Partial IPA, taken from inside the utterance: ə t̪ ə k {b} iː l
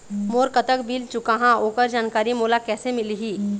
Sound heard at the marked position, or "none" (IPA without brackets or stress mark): b